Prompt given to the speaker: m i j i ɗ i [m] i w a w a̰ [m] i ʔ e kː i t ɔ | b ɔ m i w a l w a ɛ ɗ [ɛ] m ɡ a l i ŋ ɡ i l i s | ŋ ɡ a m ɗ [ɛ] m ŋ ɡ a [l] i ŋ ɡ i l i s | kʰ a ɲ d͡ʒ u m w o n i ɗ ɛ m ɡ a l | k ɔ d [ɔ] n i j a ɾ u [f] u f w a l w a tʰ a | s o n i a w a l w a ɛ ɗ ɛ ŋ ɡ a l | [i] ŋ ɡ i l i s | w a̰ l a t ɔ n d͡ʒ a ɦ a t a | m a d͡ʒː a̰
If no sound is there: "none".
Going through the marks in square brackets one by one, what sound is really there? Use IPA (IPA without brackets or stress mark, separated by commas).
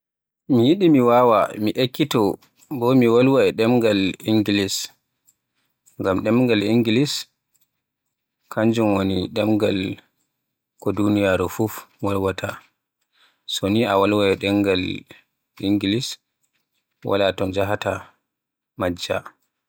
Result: m, m, ɛ, ɛ, l, u, f, i